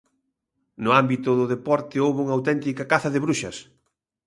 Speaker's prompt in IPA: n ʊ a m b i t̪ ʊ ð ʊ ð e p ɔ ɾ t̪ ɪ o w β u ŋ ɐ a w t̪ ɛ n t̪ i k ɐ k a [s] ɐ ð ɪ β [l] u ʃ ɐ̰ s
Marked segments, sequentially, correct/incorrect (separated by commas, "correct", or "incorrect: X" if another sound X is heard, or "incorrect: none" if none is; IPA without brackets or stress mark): incorrect: θ, incorrect: ɾ